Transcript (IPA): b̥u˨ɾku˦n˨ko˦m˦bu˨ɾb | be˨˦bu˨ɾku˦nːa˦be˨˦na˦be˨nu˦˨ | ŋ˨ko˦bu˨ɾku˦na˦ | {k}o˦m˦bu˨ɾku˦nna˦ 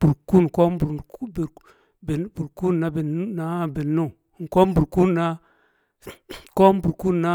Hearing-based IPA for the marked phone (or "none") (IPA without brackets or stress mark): k